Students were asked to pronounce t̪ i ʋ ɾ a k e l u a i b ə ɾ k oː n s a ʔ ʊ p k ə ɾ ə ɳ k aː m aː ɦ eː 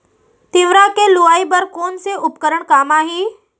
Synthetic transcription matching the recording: t̪ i ʋ ɾ a k e l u a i b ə ɾ k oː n s e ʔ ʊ p k ə ɾ ə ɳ k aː m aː ɦ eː